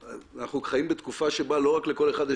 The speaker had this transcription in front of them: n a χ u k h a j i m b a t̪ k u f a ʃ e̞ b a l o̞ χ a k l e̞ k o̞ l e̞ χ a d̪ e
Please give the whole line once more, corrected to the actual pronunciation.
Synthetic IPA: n a χ u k χ a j i m b e t̪ k u f a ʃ e̞ b a l o̞ ʁ a k l e̞ k o̞ l e̞ χ a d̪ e